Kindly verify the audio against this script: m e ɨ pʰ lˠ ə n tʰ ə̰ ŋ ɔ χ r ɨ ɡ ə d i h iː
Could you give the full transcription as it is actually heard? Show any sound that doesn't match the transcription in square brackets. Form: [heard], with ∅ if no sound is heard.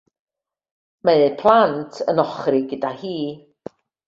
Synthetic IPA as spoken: m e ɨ pʰ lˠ [a] n tʰ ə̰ [n] ɔ χ r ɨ ɡ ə d [a] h iː